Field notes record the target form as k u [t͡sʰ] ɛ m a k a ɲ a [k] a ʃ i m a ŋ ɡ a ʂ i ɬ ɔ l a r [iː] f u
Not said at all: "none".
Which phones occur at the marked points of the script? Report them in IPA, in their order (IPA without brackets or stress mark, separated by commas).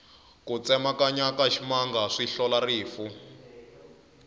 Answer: t͡s, k, iː